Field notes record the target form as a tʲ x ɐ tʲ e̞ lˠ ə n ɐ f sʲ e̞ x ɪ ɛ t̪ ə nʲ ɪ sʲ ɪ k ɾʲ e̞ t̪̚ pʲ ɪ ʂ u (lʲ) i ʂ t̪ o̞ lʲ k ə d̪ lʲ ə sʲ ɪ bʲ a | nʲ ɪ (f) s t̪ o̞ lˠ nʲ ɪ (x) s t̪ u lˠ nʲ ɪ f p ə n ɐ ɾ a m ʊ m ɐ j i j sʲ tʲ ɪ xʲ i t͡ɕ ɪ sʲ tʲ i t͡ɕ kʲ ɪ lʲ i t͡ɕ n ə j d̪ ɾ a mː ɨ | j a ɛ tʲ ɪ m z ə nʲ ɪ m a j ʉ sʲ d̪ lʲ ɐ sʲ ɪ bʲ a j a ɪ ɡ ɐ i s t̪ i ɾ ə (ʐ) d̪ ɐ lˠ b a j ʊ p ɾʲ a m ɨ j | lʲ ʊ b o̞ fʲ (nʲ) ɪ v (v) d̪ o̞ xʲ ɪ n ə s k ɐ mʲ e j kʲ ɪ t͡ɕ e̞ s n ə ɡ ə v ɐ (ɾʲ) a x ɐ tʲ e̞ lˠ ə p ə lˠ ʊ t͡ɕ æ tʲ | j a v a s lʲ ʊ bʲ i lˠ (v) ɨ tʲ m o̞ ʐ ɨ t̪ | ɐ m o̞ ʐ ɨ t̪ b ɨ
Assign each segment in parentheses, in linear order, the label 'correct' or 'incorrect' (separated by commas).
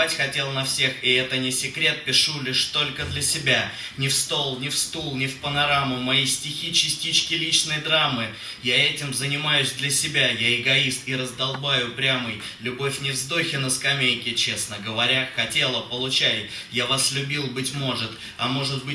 correct, correct, incorrect, incorrect, correct, incorrect, correct, incorrect